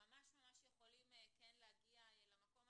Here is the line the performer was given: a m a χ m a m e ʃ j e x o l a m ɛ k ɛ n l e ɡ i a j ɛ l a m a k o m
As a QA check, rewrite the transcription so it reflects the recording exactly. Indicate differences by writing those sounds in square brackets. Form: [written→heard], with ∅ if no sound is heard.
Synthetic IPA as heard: a m a [χ→ʃ] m a m [e→a] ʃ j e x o l [a→i] m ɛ k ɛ n l [e→a] ɡ i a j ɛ l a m a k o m